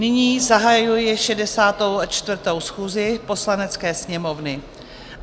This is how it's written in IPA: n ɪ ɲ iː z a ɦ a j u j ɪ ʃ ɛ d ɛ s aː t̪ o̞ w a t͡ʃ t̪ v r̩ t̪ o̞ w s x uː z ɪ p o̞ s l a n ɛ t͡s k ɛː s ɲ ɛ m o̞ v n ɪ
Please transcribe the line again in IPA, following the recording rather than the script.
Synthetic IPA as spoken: n ɪ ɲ iː z a ɦ a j u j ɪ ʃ ɛ d ɛ s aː t̪ o̞ w a t͡ʃ t̪ v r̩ t̪ o̞ w s x uː z ɪ p o̞ s l a n ɛ t͡s k ɛː s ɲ ɛ m o̞ v n ɪ